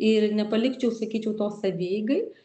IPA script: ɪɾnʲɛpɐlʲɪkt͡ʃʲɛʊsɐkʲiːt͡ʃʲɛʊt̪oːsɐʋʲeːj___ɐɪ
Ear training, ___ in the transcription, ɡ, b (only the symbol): ɡ